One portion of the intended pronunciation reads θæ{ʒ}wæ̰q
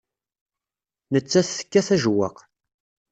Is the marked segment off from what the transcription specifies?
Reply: no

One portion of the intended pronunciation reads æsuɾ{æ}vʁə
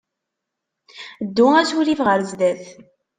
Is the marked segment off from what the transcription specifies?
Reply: yes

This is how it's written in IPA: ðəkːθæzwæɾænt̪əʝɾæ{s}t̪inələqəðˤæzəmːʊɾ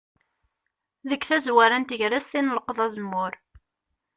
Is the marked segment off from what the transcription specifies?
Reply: no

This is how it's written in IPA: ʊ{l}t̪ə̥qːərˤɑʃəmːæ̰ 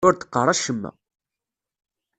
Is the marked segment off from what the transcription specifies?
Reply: yes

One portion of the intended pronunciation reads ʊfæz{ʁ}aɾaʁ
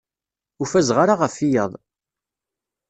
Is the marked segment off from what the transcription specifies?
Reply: no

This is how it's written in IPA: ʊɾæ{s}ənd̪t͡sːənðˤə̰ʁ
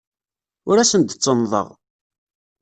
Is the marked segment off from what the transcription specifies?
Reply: no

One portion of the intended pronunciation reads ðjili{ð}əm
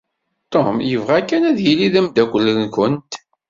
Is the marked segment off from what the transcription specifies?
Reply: no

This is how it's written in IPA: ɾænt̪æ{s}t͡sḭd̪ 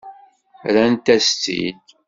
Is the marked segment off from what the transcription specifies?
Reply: no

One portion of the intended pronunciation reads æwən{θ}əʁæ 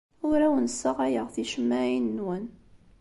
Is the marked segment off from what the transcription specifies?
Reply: yes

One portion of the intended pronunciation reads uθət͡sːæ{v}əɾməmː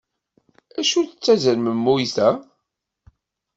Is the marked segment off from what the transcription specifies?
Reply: yes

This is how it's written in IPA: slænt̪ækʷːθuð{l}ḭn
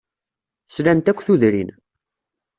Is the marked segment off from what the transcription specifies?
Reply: yes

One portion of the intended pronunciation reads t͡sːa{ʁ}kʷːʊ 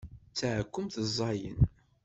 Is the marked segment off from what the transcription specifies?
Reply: yes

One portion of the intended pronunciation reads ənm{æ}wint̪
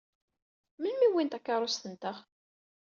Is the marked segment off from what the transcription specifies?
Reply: yes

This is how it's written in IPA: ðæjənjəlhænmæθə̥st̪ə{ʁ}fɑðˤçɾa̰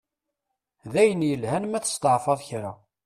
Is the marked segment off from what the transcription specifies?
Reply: yes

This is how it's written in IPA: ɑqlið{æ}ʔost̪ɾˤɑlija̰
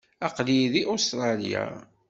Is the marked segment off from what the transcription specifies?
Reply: yes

